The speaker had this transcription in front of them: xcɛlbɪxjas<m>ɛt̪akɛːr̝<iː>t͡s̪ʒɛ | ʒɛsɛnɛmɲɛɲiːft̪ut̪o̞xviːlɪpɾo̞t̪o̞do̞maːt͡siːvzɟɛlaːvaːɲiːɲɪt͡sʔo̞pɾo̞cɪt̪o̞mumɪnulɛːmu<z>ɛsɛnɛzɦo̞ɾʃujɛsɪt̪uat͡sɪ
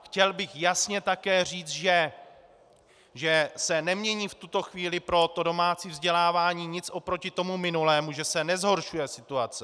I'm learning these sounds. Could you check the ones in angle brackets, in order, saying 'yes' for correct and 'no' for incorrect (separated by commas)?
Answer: no, yes, no